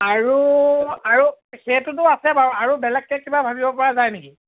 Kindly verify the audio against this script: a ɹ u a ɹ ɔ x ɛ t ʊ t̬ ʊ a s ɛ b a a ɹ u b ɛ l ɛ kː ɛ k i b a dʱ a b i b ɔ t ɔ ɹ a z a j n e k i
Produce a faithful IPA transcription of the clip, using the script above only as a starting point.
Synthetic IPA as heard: a ɹ u a ɹ u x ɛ t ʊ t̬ ʊ a s ɛ b a a ɹ u b ɛ l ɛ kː ɛ k i b a bʱ a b i b ɔ p ɔ ɹ a z a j n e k i

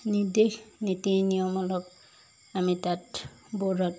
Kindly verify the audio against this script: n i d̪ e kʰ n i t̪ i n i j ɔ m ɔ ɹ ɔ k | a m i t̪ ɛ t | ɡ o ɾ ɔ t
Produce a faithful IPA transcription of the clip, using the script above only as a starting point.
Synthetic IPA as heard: n i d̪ e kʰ n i t̪ i n i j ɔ m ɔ l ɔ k | a m i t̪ a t | b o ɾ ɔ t

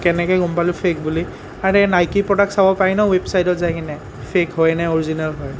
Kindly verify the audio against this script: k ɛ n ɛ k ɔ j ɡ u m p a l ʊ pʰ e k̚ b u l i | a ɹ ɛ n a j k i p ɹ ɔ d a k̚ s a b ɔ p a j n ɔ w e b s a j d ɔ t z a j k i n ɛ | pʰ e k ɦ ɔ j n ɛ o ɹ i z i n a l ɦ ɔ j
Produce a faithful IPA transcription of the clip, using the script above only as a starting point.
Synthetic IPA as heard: k ɛ n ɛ k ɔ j ɡ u m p a l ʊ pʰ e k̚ b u l i | a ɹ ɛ n a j k i p ɹ ɔ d a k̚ s a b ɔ p a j n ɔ w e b s a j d ɔ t z a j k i n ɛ | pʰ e k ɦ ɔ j n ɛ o ɹ i z i n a l ɦ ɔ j

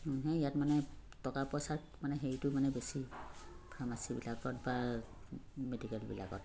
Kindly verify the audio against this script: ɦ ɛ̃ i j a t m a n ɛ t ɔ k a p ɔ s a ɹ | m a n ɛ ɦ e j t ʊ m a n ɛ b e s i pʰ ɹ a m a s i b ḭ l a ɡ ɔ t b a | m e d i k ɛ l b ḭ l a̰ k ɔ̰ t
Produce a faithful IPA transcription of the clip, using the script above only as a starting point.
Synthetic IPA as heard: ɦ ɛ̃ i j a t m a n ɛ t ɔ k a p ɔ s a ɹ | m a n ɛ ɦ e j t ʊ m a n ɛ b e s i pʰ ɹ a m a s i b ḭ l a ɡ ɔ t b a | m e d i k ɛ l b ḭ l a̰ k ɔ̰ t

